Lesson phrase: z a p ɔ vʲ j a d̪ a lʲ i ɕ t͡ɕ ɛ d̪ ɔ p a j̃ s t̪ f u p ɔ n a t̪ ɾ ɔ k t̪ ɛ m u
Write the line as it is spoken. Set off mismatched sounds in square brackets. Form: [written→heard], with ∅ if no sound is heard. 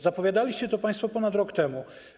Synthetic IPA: z a p ɔ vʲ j a d̪ a lʲ i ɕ t͡ɕ ɛ [d̪→t̪] ɔ p a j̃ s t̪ f [u→ɔ] p ɔ n a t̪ ɾ ɔ k t̪ ɛ m u